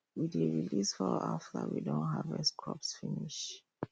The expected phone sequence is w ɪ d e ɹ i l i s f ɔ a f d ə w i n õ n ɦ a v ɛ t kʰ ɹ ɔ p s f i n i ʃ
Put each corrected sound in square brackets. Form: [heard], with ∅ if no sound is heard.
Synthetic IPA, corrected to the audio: w [i] d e ɹ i l i s f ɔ a f [t] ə w i [d] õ n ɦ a v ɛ [s] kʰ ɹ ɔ p s f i n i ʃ